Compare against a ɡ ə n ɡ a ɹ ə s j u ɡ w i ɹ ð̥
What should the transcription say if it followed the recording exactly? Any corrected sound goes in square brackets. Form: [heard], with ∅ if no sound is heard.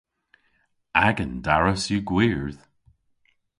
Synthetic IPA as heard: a ɡ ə n [d] a ɹ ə s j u ɡ w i ɹ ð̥